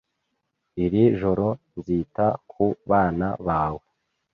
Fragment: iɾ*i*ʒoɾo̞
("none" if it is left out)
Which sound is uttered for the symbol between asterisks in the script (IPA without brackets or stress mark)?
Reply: i